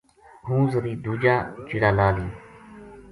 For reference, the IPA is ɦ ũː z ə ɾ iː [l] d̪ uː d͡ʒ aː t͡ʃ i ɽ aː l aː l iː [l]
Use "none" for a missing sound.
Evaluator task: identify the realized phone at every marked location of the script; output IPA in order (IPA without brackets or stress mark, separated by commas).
none, none